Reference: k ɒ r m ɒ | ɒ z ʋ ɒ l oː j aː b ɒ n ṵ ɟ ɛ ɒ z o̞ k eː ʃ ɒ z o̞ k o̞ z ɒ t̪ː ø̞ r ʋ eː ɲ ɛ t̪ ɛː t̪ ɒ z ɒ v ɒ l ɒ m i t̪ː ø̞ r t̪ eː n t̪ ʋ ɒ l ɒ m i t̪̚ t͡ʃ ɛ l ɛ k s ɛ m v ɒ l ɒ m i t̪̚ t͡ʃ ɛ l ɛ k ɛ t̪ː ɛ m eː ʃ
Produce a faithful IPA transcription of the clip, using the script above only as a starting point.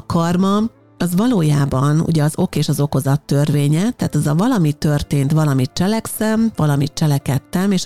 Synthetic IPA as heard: k ɒ r m ɒ | ɒ z ʋ ɒ l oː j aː b ɒ n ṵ ɟ ɛ ɒ z o̞ k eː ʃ ɒ z o̞ k o̞ z ɒ t̪ː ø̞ r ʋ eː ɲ ɛ t̪ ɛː t̪ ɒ z ɒ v ɒ l ɒ m i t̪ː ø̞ r t̪ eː n t̪ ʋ ɒ l ɒ m i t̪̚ t͡ʃ ɛ l ɛ k s ɛ m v ɒ l ɒ m i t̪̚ t͡ʃ ɛ l ɛ k ɛ t̪ː ɛ m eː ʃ